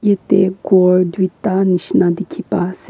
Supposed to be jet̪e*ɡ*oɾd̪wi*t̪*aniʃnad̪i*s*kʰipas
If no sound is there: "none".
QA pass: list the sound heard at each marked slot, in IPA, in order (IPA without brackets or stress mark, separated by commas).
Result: ɡ, t̪, none